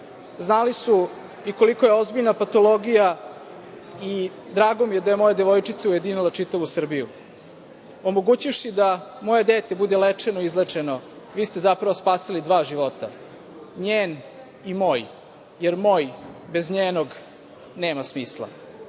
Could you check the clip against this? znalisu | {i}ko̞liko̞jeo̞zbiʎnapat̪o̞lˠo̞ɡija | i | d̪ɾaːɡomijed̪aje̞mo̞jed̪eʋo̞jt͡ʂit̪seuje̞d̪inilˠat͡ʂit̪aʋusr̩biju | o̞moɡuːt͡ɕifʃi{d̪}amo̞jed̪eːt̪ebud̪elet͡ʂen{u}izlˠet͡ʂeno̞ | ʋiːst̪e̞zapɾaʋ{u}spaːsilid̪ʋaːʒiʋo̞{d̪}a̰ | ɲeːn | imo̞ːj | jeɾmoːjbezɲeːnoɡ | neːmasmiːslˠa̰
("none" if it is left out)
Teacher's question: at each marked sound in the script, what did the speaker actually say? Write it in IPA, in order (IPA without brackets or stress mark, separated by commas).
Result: i, d̪, o, o, t̪